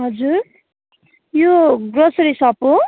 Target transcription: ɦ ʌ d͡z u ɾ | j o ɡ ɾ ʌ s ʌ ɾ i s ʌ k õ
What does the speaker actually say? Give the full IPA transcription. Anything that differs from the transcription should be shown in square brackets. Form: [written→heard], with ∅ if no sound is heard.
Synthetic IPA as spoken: ɦ ʌ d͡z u ɾ | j o ɡ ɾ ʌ s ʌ ɾ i s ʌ [k→p] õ